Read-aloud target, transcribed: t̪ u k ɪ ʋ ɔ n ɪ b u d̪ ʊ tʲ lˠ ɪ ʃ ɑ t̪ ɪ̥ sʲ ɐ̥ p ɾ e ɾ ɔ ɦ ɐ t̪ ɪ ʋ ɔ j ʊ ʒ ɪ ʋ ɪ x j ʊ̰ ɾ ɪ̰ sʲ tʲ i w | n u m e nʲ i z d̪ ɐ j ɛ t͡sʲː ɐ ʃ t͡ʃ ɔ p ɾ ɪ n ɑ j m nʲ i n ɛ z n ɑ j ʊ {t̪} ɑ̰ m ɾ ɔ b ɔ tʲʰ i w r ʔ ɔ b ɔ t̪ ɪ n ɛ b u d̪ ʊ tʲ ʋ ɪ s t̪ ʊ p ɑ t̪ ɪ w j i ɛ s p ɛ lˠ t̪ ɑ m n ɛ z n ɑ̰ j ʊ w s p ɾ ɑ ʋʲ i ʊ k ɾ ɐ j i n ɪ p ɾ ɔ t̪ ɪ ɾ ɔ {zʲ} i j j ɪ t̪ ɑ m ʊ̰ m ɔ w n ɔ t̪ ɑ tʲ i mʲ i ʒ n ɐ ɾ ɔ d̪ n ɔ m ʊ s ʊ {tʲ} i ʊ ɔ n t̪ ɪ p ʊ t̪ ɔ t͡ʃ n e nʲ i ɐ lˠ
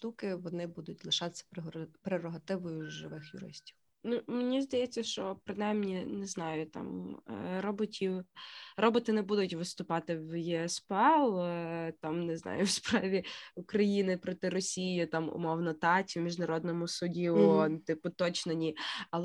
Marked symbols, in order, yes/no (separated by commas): yes, no, no